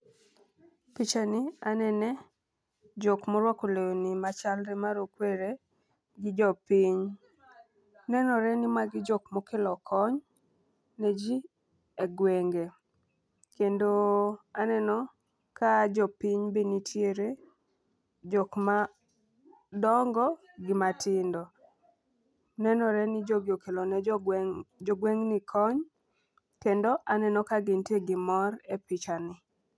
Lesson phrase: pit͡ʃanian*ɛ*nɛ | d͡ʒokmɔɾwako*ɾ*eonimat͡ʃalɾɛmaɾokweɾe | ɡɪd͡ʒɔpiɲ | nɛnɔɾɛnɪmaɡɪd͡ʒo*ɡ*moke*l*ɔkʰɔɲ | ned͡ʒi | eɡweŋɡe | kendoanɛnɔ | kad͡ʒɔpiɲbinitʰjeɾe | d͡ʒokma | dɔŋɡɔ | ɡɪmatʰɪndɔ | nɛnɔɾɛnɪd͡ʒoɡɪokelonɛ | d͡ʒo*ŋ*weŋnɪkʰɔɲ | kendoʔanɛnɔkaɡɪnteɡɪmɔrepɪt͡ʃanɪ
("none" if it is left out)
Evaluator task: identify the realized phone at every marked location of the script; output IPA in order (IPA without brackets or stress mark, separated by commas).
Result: ɛ, l, k, l, ɡ